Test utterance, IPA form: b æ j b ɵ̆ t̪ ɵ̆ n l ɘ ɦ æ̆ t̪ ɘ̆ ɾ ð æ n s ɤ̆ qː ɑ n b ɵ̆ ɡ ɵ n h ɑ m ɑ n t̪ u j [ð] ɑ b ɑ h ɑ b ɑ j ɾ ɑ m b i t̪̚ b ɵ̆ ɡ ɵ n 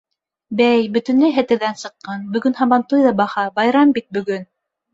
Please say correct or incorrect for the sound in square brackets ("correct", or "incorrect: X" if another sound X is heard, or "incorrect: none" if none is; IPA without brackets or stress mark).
correct